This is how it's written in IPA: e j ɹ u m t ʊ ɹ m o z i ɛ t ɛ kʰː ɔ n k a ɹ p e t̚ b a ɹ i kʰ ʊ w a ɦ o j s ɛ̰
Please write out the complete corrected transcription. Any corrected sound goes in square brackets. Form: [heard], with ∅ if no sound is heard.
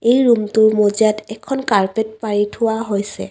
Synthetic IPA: e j ɹ u m t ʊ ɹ m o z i [a] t ɛ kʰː ɔ n k a ɹ p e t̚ [p] a ɹ i [tʰ] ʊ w a ɦ o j s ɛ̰